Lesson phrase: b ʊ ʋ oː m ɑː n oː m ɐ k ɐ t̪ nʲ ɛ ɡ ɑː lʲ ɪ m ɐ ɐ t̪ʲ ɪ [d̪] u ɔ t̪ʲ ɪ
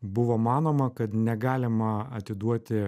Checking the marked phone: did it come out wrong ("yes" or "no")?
no